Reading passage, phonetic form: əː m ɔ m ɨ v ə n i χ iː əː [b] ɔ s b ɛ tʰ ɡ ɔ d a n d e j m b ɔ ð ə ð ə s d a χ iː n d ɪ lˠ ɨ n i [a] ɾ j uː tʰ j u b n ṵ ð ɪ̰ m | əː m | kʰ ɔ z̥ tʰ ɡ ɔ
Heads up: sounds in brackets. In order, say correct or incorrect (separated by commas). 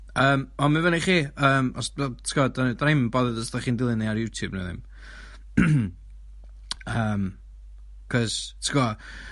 incorrect, correct